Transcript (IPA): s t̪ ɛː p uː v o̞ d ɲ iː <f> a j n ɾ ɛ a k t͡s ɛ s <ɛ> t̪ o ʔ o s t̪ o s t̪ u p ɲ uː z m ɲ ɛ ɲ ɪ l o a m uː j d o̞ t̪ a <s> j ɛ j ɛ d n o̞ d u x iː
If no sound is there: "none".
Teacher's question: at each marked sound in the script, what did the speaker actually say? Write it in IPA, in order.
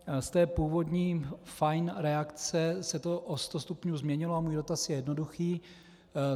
f, ɛ, s

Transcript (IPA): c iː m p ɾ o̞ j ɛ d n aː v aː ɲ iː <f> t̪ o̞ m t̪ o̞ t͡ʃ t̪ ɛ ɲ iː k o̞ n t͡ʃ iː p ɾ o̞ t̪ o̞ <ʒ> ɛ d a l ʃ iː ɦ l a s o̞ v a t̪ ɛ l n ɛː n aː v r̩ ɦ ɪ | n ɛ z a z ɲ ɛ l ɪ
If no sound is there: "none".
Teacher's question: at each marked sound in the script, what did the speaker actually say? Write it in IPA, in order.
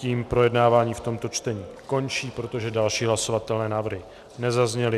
f, ʒ

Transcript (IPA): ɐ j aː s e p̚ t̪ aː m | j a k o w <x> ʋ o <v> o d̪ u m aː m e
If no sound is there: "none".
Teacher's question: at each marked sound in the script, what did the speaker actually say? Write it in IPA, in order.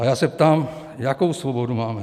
s, b

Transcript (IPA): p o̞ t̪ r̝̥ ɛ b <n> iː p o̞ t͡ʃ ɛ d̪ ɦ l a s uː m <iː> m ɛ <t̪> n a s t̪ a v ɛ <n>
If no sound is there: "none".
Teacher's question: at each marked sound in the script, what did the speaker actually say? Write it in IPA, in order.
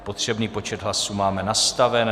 n, aː, none, n

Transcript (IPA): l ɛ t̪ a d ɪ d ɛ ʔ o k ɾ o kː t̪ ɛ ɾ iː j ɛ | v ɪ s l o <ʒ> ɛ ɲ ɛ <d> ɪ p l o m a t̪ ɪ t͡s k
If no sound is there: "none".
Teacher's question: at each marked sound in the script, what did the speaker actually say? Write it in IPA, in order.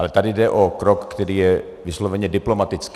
v, d

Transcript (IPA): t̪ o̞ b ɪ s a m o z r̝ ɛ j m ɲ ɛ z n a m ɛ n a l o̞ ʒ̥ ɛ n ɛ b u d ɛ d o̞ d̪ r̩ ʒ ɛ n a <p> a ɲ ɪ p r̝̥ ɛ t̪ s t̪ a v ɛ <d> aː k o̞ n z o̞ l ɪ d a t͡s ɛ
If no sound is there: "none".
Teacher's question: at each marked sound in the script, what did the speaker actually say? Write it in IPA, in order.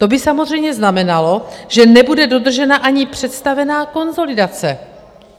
ʔ, n

